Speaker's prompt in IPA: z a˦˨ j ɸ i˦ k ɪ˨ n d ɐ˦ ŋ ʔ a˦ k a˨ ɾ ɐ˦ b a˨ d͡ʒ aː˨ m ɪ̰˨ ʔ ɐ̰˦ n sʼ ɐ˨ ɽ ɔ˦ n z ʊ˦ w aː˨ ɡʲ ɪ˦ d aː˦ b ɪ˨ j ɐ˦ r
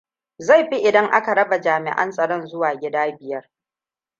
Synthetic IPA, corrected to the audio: z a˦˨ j ɸ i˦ ʔ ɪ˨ d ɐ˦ ŋ ʔ a˦ k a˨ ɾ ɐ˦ b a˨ d͡ʒ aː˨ m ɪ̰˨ ʔ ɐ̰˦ n sʼ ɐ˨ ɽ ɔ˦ n z ʊ˦ w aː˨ ɡʲ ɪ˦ d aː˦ b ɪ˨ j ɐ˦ r